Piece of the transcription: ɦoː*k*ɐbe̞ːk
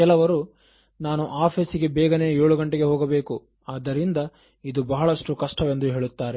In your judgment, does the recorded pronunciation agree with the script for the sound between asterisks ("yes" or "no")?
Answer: no